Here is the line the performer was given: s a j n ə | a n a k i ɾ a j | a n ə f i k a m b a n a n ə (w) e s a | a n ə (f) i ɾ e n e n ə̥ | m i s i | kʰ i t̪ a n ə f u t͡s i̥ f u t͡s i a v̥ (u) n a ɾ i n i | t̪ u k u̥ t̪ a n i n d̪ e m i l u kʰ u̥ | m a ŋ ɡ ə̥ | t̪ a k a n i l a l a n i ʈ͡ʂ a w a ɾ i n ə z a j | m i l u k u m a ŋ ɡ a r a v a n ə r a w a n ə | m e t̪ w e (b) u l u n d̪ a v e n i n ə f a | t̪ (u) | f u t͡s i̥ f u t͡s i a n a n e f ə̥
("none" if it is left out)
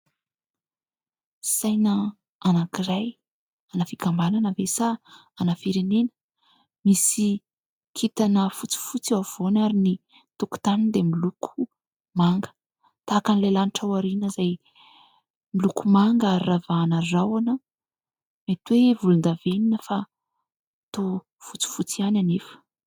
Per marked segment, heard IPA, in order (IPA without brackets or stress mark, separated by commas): v, f, o, v, o